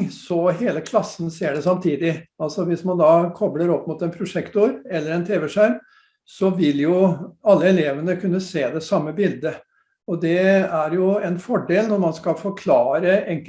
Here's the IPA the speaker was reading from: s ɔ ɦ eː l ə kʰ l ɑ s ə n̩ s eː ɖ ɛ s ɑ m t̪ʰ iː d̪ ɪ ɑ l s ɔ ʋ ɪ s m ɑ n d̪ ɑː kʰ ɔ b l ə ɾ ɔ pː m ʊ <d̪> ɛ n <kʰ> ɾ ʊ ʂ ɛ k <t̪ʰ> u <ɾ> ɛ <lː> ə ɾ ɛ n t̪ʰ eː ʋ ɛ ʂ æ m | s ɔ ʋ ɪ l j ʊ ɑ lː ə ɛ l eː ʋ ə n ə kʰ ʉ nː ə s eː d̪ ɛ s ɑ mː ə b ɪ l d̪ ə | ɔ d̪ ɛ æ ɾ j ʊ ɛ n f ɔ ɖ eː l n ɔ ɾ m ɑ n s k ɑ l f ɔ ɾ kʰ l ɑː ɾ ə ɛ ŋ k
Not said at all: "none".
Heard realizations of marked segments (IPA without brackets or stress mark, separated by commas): t̪, pʰ, t̪, ɾ, lː